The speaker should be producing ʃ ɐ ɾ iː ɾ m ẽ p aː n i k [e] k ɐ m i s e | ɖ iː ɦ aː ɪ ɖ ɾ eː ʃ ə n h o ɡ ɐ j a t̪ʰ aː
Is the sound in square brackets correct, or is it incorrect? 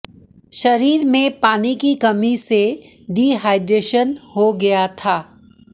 incorrect: i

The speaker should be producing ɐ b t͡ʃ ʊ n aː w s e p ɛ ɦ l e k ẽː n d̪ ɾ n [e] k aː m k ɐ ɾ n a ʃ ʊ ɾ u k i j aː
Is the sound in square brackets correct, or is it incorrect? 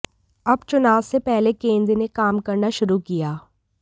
correct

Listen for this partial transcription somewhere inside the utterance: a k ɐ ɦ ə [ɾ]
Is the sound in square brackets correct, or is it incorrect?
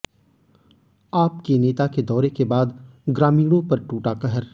correct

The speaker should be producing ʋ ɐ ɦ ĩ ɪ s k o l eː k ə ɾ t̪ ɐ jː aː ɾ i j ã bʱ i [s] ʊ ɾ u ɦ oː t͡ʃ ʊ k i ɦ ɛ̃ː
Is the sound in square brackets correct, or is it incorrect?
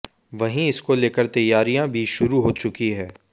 incorrect: ʃ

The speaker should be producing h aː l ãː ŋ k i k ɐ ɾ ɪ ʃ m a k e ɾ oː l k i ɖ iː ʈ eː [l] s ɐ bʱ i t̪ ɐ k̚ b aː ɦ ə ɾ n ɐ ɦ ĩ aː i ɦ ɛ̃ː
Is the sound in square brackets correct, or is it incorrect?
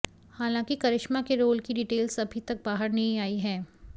correct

